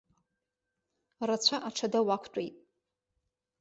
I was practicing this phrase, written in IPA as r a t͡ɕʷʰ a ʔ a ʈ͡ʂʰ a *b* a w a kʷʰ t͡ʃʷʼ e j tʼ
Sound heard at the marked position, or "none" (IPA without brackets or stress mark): d